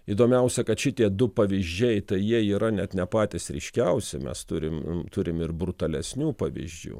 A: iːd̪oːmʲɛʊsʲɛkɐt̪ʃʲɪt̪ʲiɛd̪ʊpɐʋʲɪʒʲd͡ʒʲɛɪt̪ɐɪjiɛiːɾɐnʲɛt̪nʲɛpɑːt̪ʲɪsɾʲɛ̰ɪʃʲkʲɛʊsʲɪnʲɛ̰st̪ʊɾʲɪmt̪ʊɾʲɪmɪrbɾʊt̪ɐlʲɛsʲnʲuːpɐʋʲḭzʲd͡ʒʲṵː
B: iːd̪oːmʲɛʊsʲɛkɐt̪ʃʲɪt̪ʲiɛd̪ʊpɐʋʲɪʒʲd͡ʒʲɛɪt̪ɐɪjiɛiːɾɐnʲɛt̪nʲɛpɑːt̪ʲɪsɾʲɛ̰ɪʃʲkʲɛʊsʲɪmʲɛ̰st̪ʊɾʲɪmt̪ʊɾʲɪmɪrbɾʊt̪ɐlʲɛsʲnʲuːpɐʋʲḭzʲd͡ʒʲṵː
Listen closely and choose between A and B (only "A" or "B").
B